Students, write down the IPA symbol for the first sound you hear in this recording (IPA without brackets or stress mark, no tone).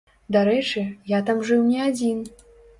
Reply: d̪